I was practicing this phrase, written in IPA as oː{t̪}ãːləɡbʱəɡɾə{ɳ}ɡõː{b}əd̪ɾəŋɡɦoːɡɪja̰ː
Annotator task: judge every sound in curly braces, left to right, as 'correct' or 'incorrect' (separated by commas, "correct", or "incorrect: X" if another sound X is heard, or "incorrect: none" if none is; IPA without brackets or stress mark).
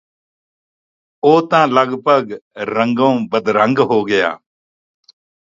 correct, incorrect: ŋ, correct